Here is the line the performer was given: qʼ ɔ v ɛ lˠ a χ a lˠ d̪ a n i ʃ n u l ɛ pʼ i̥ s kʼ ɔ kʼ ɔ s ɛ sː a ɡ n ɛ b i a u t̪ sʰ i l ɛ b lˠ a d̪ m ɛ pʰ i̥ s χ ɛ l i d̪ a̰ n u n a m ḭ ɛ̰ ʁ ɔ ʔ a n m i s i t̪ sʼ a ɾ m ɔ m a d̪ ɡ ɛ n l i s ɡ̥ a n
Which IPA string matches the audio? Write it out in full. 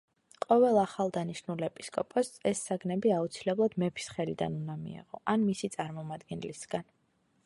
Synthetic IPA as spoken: qʼ ɔ v ɛ lˠ a χ a lˠ d̪ a n i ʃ n u l ɛ pʼ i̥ s kʼ ɔ pʼ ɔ s ɛ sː a ɡ n ɛ b i a u t̪ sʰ i l ɛ b lˠ a d̪ m ɛ pʰ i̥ s χ ɛ l i d̪ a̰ n u n a m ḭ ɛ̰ ʁ ɔ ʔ a n m i s i t̪ sʼ a ɾ m ɔ m a d̪ ɡ ɛ n l i s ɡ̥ a n